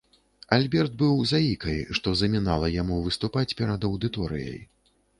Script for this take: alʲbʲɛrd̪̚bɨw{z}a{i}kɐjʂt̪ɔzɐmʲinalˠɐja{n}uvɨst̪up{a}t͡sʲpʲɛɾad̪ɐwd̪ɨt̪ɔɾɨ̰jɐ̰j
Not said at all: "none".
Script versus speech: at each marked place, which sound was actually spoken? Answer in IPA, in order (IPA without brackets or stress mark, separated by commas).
z, i, m, a